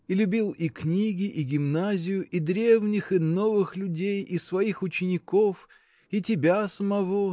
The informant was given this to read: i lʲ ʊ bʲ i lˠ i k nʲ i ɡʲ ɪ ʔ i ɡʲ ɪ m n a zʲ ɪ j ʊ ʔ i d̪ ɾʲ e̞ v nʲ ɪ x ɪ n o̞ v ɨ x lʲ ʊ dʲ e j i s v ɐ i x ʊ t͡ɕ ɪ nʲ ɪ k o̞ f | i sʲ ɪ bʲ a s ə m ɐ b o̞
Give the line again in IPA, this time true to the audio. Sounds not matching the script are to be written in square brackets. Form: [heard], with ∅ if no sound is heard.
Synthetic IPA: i lʲ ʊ bʲ i lˠ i k nʲ i ɡʲ ɪ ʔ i ɡʲ ɪ m n a zʲ ɪ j ʊ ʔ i d̪ ɾʲ e̞ v nʲ ɪ x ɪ n o̞ v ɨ x lʲ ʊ dʲ e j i s v ɐ i x ʊ t͡ɕ ɪ nʲ ɪ k o̞ f | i [tʲ] ɪ bʲ a s ə m ɐ [v] o̞